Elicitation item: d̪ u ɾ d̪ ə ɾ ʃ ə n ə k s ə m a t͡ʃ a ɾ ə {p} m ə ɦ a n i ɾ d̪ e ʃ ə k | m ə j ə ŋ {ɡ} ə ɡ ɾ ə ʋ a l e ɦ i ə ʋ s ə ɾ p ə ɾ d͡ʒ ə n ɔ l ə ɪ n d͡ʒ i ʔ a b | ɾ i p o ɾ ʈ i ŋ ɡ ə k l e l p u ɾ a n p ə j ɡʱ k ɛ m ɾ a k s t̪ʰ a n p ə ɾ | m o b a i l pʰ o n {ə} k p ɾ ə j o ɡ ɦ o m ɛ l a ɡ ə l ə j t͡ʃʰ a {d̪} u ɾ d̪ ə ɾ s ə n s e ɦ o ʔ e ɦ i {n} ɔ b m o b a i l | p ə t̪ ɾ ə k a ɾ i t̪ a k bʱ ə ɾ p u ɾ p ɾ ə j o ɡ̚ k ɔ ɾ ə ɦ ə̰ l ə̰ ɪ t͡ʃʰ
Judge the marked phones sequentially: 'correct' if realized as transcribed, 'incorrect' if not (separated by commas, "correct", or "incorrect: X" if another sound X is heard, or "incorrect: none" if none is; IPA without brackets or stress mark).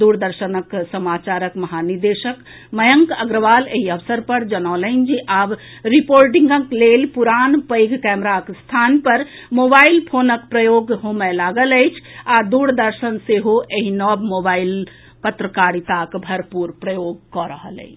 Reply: incorrect: k, incorrect: k, correct, correct, correct